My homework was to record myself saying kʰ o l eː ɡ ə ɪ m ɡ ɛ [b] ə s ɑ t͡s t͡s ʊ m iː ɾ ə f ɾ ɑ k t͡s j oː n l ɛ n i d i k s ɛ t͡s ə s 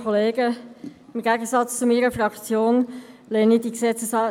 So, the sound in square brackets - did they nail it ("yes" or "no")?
no